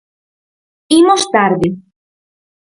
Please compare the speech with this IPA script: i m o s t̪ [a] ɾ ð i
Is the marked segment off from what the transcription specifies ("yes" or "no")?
no